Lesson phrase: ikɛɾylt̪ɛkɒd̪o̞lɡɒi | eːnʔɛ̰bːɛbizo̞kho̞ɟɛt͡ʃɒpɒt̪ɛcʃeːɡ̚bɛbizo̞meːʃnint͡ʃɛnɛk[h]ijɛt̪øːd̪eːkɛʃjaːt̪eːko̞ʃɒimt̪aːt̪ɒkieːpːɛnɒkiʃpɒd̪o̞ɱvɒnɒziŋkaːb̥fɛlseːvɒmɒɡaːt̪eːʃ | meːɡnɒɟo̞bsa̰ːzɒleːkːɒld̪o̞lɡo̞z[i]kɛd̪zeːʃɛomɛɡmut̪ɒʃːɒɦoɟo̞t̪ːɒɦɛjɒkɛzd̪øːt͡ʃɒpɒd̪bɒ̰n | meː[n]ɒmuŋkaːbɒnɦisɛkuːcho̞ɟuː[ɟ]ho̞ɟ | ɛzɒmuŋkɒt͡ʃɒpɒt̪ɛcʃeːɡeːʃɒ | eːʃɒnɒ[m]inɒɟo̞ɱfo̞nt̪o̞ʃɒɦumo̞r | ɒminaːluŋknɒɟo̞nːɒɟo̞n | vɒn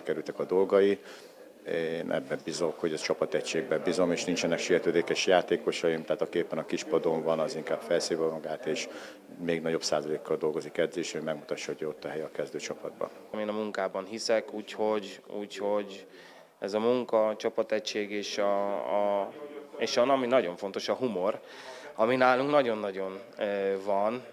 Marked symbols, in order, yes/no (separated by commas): no, yes, yes, no, yes